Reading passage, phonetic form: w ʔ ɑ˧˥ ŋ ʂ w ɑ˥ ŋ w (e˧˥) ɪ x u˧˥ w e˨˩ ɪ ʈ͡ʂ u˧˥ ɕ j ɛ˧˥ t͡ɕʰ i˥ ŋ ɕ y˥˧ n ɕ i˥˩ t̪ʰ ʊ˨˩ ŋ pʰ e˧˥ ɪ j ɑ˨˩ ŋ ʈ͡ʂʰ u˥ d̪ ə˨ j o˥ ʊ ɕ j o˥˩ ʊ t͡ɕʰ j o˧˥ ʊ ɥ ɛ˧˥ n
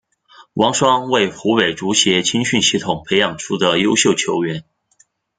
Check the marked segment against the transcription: incorrect: e˥˩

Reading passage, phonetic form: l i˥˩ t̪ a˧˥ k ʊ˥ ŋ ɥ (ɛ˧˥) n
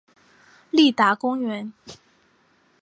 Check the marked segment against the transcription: correct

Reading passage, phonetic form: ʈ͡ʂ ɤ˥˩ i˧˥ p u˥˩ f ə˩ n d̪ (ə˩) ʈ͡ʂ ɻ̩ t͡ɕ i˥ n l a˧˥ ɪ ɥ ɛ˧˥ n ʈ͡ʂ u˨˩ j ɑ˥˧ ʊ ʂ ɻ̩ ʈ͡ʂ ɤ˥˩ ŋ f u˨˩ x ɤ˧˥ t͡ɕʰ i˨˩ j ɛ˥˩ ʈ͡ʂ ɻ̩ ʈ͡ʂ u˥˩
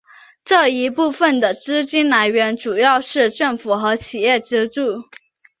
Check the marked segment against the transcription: correct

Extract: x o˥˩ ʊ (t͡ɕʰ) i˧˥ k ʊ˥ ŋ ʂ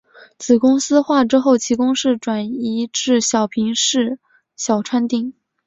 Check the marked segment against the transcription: correct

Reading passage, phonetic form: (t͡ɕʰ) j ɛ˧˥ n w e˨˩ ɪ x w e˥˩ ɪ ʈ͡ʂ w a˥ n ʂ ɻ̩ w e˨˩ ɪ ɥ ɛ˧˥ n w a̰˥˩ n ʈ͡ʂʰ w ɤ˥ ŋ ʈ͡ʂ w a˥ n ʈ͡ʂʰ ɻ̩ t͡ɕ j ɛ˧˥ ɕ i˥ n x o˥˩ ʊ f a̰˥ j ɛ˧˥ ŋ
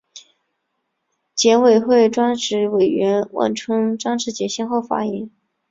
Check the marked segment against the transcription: incorrect: t͡ɕ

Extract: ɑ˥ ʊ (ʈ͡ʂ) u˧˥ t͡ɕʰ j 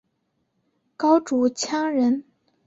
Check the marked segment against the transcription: correct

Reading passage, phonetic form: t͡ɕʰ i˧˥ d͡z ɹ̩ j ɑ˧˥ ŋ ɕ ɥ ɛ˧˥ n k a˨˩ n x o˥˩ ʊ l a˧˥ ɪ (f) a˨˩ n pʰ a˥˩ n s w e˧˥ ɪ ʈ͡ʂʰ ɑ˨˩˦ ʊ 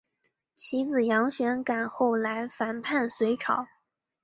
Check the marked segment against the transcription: correct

